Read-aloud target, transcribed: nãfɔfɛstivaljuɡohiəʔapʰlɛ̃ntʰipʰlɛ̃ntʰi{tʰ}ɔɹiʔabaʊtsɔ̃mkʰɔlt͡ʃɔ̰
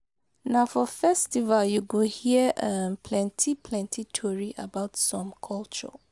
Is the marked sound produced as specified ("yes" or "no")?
yes